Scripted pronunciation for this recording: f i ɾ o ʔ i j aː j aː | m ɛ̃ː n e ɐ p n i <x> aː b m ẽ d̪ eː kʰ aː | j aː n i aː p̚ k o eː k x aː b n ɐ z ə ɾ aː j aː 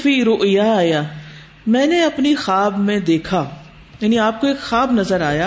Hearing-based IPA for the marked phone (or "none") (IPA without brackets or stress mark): x